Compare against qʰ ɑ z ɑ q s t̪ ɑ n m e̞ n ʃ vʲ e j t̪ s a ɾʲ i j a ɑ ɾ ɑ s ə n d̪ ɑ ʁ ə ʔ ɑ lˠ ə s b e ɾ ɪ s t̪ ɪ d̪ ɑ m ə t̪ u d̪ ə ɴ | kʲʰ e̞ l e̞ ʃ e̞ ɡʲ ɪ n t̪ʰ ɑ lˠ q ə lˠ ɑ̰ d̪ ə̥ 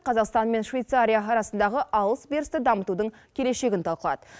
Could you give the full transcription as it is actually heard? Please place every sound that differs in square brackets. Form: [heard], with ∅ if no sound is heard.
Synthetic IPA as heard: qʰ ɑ z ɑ q s t̪ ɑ n m e̞ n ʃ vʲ e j t̪ s a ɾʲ i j a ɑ ɾ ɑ s ə n d̪ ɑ ʁ ə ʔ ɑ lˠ ə s b e ɾ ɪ s t̪ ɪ d̪ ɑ m ə t̪ u d̪ ə ɴ | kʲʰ e̞ l e̞ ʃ e̞ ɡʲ ɪ n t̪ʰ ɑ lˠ q ə lˠ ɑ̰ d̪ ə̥